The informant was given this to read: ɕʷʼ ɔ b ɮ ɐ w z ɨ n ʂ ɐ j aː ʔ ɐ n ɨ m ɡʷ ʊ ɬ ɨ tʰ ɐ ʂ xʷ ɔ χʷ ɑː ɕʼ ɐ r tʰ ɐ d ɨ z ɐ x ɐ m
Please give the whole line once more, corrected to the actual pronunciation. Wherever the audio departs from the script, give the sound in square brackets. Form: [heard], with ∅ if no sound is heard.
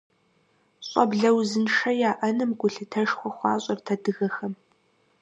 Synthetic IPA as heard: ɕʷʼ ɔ b ɮ ɐ w z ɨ n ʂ ɐ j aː ʔ ɐ n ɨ m ɡʷ ʊ ɬ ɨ tʰ ɐ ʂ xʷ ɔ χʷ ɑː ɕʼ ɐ r tʰ ɐ d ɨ [ɣ] ɐ x ɐ m